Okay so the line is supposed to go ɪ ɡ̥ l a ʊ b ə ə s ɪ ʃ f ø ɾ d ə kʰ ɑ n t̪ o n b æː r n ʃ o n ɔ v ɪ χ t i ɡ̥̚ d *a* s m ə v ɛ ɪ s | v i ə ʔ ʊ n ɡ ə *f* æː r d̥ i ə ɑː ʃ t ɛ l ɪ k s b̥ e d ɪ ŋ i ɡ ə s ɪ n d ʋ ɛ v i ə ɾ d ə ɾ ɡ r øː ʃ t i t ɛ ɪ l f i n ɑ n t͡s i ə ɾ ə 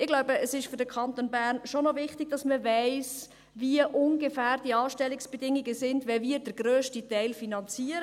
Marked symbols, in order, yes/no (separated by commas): no, yes